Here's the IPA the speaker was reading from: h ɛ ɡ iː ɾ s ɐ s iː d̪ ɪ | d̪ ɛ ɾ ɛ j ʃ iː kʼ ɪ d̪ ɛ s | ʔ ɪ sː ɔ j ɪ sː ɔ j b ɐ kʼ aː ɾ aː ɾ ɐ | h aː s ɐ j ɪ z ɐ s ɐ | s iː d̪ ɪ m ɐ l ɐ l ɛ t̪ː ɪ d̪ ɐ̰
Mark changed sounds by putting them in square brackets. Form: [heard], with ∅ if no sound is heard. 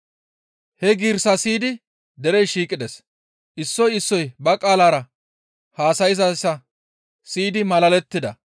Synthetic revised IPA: h ɛ ɡ iː ɾ s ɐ s iː d̪ ɪ | d̪ ɛ ɾ ɛ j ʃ iː kʼ ɪ d̪ ɛ s | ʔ ɪ sː ɔ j ɪ sː ɔ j b ɐ kʼ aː [l] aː ɾ ɐ | h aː s ɐ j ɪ z ɐ s ɐ | s iː d̪ ɪ m ɐ l ɐ l ɛ t̪ː ɪ d̪ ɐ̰